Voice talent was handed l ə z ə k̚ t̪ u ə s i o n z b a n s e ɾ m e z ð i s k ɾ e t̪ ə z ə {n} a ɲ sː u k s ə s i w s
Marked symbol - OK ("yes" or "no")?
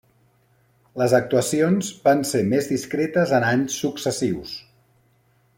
yes